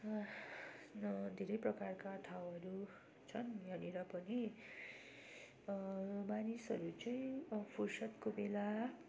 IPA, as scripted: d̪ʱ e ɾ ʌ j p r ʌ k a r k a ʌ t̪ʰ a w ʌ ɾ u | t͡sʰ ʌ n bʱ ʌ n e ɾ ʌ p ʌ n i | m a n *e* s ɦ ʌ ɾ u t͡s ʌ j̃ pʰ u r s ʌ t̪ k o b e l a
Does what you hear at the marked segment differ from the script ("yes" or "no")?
yes